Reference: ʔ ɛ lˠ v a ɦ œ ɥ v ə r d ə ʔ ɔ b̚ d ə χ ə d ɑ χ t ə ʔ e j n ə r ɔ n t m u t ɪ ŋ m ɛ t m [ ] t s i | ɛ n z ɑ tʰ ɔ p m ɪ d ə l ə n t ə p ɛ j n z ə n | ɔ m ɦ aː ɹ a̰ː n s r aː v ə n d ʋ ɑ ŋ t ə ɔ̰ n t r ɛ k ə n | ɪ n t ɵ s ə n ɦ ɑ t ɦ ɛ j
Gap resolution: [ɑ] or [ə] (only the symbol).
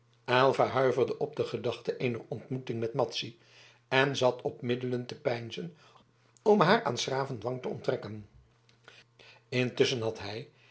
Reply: ɑ